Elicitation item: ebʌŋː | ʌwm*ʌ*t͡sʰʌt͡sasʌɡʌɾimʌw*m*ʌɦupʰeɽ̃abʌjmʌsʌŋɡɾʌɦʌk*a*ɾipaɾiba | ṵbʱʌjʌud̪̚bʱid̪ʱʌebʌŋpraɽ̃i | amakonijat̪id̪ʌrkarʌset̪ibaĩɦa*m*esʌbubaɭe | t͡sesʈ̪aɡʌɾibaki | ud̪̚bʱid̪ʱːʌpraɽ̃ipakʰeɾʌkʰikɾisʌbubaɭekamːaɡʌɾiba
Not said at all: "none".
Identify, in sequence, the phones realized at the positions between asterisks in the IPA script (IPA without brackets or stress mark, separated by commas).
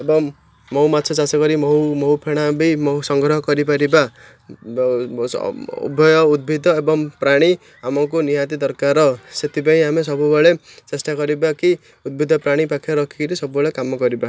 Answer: a, m, ʌ, m